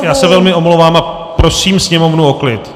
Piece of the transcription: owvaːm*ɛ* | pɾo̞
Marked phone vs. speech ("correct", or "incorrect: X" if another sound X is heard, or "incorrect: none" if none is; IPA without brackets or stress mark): incorrect: a